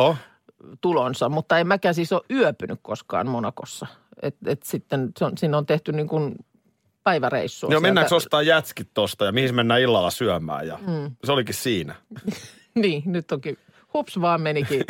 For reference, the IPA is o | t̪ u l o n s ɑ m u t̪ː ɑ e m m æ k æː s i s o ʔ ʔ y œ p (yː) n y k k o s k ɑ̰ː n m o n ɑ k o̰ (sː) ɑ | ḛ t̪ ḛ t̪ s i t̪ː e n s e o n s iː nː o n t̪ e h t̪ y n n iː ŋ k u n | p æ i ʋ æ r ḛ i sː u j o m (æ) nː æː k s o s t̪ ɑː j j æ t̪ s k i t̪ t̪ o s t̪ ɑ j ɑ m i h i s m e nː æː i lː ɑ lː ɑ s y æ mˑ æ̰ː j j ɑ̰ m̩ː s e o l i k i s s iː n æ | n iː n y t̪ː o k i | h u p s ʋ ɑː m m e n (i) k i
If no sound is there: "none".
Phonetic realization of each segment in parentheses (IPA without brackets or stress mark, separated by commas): y, sː, e, i